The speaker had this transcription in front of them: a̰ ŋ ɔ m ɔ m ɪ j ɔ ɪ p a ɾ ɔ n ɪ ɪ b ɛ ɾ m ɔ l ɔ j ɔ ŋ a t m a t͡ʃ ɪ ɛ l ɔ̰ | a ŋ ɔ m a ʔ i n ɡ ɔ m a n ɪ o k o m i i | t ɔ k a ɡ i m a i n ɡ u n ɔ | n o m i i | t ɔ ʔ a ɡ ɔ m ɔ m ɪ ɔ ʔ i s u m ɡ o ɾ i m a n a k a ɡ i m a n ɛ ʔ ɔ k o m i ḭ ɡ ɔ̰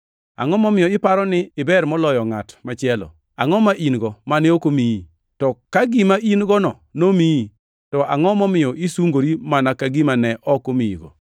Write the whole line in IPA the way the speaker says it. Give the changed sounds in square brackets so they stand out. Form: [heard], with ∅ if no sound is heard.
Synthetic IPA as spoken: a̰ ŋ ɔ m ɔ m ɪ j ɔ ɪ p a ɾ ɔ n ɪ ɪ b ɛ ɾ m ɔ l ɔ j ɔ ŋ a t m a t͡ʃ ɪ ɛ l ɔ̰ | a ŋ ɔ m a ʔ i n ɡ ɔ m a n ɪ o k o m i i | t ɔ k a ɡ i m a i n ɡ [ɔ] n ɔ | n o m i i | t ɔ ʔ a [ŋ] ɔ m ɔ m ɪ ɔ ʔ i s u [ŋ] ɡ o ɾ i m a n a k a ɡ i m a n ɛ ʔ ɔ k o m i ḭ ɡ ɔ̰